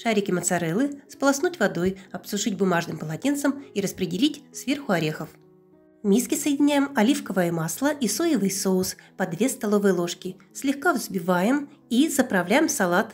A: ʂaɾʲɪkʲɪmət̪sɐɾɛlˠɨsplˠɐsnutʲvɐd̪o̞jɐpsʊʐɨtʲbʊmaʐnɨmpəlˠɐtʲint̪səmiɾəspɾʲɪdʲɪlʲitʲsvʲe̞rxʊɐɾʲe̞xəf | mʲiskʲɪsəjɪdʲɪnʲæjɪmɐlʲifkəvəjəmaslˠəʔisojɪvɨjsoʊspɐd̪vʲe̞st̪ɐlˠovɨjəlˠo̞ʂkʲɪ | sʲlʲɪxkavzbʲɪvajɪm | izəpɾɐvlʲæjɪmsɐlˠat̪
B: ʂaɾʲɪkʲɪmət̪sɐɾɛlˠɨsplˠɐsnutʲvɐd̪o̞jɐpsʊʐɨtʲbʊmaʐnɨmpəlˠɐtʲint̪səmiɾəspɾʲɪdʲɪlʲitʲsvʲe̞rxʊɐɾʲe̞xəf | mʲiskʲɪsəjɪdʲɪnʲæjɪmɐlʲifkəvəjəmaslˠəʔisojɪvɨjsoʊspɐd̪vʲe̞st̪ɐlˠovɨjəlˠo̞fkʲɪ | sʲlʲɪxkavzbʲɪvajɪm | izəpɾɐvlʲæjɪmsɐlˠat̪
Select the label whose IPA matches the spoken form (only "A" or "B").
A